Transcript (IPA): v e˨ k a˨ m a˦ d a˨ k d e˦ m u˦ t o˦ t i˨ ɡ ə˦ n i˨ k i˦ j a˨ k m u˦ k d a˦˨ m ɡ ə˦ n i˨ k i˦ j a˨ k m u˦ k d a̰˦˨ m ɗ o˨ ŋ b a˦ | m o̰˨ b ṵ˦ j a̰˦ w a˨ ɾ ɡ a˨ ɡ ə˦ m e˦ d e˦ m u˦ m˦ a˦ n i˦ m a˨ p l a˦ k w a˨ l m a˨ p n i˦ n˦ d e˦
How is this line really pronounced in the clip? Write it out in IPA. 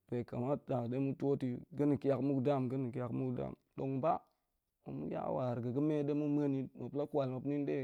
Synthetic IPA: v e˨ k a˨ m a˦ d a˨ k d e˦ m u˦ t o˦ t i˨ ɡ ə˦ n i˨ k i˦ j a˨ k m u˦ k d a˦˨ m ɡ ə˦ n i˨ k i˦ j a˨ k m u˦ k d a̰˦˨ m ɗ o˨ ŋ b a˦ | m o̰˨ m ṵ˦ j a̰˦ w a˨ ɾ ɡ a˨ ɡ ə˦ m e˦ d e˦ m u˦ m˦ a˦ n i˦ m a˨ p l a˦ k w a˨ l m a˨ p n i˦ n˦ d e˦